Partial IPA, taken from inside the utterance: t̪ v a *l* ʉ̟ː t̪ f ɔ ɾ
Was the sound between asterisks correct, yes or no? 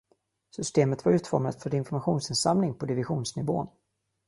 no